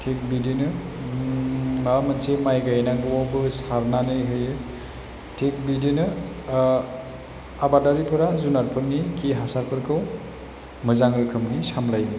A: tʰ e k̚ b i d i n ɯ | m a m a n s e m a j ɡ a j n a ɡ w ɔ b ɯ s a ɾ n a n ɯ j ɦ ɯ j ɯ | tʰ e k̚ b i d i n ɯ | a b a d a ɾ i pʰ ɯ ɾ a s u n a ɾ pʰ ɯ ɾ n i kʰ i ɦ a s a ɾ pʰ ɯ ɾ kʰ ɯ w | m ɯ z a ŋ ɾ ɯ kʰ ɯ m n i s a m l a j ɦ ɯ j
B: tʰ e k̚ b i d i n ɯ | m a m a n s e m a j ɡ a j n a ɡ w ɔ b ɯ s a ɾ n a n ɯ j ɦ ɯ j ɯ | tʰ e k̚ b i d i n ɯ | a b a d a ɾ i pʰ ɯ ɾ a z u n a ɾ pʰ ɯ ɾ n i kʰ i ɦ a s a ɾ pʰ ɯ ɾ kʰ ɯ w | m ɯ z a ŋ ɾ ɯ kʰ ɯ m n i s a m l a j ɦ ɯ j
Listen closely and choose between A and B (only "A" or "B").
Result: B